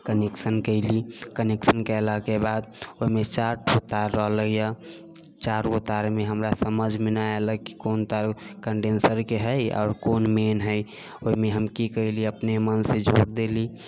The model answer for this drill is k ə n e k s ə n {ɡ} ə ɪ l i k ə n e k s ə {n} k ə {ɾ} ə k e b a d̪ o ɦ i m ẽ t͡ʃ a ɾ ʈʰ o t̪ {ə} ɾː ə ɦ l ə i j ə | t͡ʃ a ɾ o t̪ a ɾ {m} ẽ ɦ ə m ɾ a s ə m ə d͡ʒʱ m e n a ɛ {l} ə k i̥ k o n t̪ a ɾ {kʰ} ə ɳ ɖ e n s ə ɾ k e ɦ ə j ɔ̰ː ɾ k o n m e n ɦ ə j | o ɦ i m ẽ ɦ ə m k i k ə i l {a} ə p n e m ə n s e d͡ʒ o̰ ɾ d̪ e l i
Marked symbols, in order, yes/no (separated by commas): no, yes, no, no, yes, yes, no, no